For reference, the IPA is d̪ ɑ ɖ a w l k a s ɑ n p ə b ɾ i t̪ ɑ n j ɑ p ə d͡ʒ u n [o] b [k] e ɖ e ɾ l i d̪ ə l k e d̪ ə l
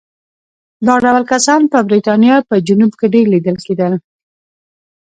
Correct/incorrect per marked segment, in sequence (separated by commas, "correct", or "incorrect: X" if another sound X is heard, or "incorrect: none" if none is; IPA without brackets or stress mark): incorrect: u, correct